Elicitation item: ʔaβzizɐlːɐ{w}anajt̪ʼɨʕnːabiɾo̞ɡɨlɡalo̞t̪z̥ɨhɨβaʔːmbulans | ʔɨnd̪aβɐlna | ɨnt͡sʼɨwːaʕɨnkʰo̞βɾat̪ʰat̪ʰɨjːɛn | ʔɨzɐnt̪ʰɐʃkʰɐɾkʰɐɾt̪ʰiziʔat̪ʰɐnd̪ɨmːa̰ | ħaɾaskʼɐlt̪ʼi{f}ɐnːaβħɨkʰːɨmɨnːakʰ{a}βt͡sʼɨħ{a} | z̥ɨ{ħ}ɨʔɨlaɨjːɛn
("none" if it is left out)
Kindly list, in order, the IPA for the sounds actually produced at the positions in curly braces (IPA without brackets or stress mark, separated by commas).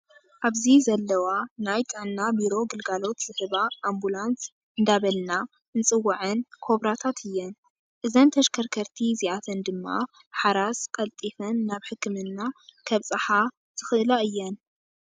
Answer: w, f, ɐ, a, x